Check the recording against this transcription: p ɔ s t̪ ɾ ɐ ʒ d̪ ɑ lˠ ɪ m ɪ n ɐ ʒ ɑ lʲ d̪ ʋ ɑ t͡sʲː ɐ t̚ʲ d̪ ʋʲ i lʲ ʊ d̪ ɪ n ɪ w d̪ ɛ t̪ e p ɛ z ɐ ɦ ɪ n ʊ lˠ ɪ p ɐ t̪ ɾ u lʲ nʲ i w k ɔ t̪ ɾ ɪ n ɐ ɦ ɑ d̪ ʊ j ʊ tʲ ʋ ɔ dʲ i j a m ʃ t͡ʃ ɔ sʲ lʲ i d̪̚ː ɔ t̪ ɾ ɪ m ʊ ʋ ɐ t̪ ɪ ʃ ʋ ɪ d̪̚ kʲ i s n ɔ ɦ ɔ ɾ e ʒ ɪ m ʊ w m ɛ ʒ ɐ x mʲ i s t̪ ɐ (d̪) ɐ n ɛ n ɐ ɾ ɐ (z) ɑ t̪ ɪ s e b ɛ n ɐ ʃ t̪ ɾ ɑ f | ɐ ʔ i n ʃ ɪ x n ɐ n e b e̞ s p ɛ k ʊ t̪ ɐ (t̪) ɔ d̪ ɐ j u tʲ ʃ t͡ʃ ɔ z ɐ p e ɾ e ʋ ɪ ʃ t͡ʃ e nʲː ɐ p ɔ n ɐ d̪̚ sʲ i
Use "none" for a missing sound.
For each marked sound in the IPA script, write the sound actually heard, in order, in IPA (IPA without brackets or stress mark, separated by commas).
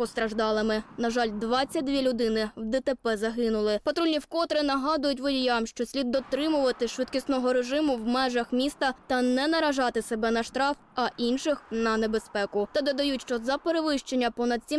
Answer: t̪, ʒ, d̪